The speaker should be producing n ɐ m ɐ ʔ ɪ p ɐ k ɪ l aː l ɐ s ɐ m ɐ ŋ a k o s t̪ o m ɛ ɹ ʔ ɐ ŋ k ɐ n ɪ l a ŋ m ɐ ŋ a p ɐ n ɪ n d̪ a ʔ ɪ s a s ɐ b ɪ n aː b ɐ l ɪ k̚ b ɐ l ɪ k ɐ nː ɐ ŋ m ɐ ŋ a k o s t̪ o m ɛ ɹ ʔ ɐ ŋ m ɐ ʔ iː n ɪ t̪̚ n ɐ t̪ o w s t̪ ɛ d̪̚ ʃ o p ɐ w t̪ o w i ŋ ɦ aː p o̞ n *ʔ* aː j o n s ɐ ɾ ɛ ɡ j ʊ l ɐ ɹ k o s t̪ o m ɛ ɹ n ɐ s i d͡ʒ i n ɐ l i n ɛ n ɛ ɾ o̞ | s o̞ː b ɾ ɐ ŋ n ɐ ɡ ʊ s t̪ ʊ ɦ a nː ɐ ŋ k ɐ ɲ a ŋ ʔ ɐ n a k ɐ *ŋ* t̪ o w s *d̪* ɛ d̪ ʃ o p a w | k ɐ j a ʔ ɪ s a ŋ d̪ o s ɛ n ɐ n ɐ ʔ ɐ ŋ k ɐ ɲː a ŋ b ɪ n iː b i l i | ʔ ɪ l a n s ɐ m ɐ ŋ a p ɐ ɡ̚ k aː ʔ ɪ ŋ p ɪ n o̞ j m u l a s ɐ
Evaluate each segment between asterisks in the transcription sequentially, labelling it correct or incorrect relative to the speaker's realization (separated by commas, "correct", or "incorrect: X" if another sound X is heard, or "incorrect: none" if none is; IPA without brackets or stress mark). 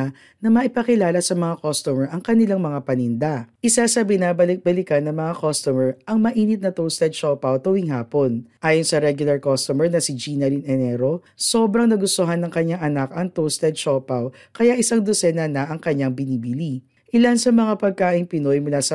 correct, correct, incorrect: t̪